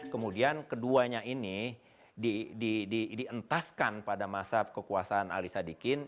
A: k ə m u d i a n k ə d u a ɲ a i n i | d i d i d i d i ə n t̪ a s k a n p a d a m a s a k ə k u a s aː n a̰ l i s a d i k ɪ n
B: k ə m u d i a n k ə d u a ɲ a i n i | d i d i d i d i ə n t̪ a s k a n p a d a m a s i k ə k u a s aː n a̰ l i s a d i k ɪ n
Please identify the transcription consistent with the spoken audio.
A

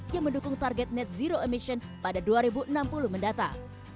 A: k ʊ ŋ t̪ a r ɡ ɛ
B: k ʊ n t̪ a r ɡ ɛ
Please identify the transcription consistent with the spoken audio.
A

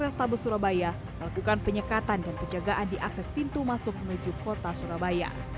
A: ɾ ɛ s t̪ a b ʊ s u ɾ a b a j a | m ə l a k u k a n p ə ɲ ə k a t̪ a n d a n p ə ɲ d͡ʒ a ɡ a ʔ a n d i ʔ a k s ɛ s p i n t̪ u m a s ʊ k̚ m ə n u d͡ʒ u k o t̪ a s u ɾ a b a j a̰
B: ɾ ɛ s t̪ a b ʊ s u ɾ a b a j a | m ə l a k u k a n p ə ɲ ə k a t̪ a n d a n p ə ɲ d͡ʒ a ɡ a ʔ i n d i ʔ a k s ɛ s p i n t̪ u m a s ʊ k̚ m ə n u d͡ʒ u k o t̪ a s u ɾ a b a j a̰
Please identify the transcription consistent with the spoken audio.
A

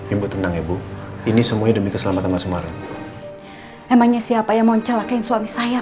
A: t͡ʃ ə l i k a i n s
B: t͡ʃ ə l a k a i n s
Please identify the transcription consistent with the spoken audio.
B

